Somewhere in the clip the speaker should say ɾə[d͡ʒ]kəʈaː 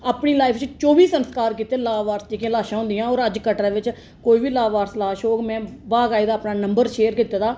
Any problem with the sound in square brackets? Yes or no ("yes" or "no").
no